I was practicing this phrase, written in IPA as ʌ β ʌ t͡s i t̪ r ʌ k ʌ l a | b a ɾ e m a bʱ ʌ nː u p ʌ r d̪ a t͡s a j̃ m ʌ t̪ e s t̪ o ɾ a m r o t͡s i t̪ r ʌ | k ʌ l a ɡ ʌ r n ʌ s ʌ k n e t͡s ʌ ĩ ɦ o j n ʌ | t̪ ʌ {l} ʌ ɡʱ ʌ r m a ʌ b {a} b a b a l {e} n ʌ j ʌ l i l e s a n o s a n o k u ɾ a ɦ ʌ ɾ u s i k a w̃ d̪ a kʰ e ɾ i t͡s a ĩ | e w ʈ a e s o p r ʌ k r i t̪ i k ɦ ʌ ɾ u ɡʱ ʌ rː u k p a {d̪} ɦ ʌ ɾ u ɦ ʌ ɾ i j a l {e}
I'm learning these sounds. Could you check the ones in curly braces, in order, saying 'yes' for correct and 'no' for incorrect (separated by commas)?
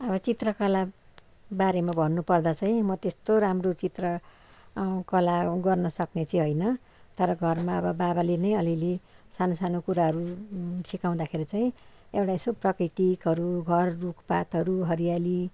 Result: no, no, yes, no, no